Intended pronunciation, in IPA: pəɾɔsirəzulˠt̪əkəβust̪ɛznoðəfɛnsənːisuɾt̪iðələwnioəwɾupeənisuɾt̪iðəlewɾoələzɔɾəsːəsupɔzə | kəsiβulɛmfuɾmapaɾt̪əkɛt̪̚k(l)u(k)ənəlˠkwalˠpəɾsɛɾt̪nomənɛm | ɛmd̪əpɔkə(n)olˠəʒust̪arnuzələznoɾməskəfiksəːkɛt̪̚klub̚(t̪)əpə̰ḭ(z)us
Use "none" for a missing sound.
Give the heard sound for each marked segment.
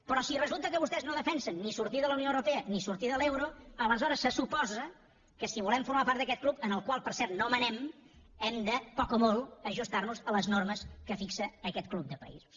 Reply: l, p, m, d̪, z

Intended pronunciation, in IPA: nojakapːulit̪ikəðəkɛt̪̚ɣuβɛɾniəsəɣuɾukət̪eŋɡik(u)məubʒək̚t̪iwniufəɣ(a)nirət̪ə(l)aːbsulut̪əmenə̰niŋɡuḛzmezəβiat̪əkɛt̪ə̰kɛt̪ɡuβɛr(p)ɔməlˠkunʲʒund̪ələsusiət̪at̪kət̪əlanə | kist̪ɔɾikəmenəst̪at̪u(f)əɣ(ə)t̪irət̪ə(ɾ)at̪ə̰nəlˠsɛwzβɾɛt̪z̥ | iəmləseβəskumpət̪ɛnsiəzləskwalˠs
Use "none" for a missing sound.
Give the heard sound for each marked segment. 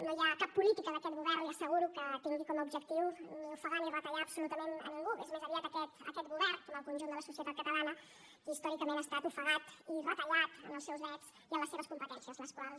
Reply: ɔ, a, ʎ, k, f, a, ʎ

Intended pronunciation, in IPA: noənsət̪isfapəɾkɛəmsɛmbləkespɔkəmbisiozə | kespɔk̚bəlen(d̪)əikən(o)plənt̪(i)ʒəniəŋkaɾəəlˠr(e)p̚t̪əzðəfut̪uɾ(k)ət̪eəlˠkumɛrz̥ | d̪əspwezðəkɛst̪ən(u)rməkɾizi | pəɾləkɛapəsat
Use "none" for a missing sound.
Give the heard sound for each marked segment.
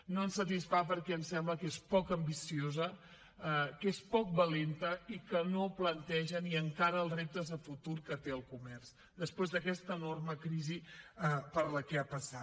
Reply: t̪, o, ɛ, e, k, o

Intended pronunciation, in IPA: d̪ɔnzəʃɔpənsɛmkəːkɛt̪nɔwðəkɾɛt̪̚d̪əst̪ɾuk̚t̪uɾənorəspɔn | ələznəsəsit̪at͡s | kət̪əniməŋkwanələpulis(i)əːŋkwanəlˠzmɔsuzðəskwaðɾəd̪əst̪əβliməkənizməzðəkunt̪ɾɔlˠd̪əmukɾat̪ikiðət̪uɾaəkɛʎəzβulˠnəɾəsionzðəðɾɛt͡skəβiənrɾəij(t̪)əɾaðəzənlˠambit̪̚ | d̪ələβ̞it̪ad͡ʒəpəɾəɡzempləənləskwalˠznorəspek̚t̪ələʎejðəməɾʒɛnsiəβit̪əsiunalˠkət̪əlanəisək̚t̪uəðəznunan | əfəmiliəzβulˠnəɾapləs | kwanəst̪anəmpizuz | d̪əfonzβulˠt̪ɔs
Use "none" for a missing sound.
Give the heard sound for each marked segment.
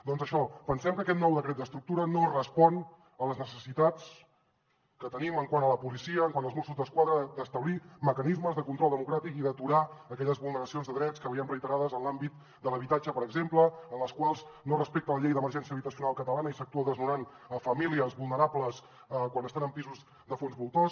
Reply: i, t̪

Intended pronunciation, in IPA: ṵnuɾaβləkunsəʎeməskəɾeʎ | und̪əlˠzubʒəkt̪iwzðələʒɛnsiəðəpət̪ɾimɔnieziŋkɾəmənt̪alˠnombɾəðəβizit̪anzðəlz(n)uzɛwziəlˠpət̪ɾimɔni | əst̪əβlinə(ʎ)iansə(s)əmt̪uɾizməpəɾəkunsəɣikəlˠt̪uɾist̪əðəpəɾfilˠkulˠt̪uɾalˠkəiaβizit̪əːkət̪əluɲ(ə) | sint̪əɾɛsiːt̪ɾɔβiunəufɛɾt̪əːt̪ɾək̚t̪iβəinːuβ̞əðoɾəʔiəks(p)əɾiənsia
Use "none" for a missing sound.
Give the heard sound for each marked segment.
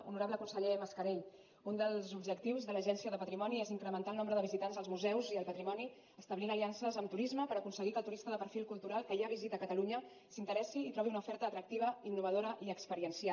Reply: m, l, z, ə, p

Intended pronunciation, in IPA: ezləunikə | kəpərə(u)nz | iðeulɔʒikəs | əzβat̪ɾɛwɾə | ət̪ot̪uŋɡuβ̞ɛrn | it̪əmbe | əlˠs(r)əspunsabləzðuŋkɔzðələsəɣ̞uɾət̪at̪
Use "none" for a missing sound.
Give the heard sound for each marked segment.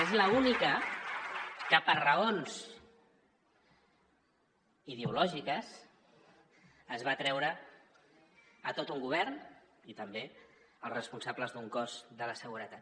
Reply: o, r

